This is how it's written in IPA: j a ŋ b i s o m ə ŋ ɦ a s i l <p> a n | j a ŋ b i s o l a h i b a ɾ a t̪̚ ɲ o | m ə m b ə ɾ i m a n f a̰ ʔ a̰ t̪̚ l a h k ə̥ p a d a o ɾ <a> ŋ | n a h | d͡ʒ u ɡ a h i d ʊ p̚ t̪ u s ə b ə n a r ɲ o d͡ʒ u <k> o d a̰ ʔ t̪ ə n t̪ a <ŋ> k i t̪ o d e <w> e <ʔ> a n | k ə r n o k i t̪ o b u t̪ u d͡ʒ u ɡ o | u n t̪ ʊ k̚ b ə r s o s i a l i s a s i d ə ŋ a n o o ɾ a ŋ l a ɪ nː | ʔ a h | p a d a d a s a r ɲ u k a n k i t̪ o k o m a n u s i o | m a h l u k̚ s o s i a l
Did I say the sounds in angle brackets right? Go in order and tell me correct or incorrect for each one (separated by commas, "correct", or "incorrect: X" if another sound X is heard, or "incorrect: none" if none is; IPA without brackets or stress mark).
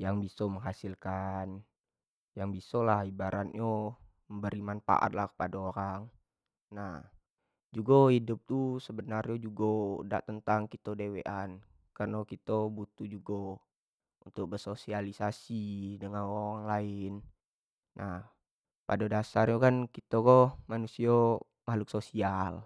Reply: incorrect: k, correct, incorrect: ɡ, correct, correct, correct